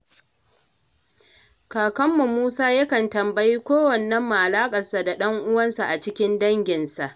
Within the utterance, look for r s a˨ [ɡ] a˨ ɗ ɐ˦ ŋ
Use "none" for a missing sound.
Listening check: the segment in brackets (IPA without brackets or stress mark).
d